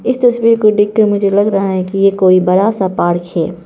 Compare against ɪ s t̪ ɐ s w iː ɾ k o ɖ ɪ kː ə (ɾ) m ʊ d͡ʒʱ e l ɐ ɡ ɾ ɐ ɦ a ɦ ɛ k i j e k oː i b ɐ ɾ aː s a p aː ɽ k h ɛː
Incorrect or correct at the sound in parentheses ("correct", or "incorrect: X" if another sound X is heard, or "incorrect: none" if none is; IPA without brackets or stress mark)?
correct